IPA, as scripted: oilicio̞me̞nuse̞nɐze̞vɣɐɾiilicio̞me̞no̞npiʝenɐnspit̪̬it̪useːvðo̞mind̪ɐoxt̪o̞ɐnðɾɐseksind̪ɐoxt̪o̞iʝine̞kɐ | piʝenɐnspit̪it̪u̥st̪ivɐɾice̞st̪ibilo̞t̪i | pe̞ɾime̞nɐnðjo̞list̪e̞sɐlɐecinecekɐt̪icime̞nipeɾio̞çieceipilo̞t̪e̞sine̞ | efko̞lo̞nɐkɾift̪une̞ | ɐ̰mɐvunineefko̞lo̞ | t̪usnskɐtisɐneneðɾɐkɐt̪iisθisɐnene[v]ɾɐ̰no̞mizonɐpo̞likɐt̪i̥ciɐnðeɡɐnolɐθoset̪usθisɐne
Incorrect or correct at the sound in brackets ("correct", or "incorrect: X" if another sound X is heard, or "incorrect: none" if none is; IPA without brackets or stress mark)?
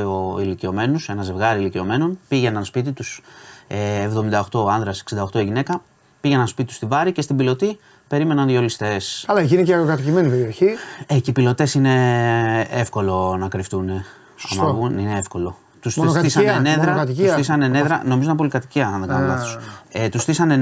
incorrect: ð